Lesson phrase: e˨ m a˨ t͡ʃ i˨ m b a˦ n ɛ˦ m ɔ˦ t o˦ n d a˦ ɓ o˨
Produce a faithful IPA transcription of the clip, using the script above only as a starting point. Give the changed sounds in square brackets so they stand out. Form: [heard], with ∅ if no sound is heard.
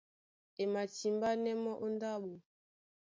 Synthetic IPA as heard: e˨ m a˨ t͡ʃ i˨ m b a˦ n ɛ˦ m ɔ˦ [ʔ] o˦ n d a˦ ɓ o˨